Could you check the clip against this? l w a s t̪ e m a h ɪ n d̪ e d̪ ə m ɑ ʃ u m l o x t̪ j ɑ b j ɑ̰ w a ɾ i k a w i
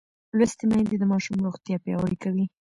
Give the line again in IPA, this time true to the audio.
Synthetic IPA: l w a s t̪ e m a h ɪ n d̪ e d̪ ə m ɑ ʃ u m ɾ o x t̪ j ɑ p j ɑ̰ w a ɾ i k a w i